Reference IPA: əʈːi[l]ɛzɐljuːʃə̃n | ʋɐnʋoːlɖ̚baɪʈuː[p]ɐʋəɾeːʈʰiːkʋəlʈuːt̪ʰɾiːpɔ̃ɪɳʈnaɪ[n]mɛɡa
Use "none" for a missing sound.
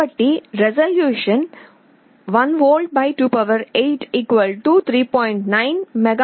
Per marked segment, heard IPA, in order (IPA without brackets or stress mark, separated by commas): ɾ, p, n